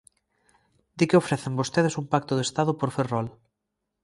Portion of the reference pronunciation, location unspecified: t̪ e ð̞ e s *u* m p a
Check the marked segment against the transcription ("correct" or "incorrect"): correct